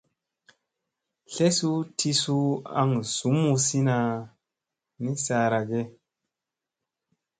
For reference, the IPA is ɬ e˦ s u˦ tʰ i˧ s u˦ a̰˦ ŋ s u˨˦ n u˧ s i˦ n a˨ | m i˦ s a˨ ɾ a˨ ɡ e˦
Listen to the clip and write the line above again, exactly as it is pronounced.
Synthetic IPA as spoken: ɬ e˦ s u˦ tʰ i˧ s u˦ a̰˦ ŋ s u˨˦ m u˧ s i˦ n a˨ | n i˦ s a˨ ɾ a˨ ɡ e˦